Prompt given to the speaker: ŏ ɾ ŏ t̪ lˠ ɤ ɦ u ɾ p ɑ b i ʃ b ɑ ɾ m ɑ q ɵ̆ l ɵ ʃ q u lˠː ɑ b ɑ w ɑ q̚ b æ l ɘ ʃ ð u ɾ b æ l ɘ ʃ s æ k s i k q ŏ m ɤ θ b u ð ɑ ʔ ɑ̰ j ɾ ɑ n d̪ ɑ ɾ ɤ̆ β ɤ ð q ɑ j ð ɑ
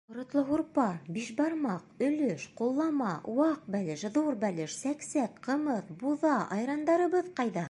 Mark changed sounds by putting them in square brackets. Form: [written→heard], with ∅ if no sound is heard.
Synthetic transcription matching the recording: ŏ ɾ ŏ t̪ lˠ ɤ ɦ u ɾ p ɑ b i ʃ b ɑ ɾ m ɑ q ɵ̆ l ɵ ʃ q u lˠː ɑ [b→m] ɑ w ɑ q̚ b æ l ɘ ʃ ð u ɾ b æ l ɘ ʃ s æ k s [i→æ] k q [ŏ→ɤ̆] m ɤ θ b u ð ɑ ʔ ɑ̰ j ɾ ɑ n d̪ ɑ ɾ ɤ̆ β ɤ ð q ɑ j ð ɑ

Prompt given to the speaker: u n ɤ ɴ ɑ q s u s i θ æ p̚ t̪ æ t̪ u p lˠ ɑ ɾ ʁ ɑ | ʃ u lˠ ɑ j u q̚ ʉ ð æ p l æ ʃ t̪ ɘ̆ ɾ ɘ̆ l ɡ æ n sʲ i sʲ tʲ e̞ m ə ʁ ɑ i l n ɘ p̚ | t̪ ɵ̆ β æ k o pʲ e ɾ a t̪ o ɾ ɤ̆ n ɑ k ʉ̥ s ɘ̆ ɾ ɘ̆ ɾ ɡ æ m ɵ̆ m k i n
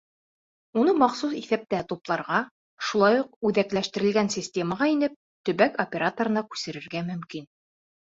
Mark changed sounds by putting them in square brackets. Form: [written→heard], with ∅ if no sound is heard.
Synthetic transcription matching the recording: u n ɤ [ɴ→m] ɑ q s u s i θ æ p̚ t̪ æ t̪ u p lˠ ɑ ɾ ʁ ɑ | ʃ u lˠ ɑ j u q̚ ʉ ð æ [p→k] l æ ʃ t̪ ɘ̆ ɾ ɘ̆ l ɡ æ n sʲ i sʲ tʲ e̞ m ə ʁ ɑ i [l→∅] n ɘ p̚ | t̪ ɵ̆ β æ k o pʲ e ɾ a t̪ o ɾ ɤ̆ n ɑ k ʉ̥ s ɘ̆ ɾ ɘ̆ ɾ ɡ æ m ɵ̆ m k i n

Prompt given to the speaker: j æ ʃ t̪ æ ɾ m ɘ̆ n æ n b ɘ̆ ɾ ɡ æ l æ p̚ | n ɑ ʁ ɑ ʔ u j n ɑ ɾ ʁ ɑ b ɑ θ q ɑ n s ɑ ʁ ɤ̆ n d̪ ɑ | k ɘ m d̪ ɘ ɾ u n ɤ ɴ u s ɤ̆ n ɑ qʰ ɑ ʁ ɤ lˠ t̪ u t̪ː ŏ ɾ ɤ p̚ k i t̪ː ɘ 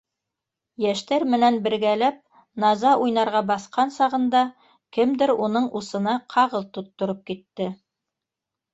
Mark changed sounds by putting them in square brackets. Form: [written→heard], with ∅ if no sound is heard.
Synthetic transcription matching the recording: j æ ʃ t̪ æ ɾ m ɘ̆ n æ n b ɘ̆ ɾ ɡ æ l æ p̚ | n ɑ [ʁ→z] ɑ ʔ u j n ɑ ɾ ʁ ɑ b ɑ θ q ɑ n s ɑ ʁ ɤ̆ n d̪ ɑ | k ɘ m d̪ ɘ ɾ u n ɤ ɴ u s ɤ̆ n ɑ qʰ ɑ ʁ ɤ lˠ t̪ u t̪ː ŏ ɾ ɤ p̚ k i t̪ː ɘ

